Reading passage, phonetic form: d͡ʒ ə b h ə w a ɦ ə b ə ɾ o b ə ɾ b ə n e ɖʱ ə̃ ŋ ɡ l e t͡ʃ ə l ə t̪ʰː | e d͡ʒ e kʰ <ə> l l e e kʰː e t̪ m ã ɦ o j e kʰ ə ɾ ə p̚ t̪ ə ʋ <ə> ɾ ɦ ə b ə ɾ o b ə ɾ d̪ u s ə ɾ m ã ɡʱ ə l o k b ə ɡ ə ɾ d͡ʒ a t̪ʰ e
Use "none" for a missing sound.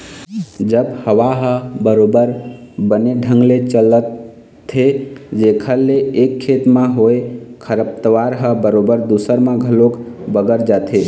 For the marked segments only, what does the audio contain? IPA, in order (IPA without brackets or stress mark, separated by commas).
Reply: ə, a